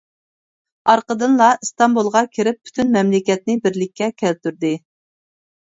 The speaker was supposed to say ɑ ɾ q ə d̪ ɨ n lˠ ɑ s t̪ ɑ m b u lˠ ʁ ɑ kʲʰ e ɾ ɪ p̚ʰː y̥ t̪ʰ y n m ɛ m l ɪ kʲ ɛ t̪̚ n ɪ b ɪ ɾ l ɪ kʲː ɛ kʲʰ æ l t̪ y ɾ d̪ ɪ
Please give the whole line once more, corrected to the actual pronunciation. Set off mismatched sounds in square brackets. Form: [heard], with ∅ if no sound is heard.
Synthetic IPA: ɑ ɾ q ə d̪ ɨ n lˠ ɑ s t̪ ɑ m b u lˠ ʁ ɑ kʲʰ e ɾ ɪ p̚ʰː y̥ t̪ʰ y n m ɛ m l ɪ kʲ ɛ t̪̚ n ɪ b ɪ ɾ l ɪ kʲː ɛ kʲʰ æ l t̪ y ɾ d̪ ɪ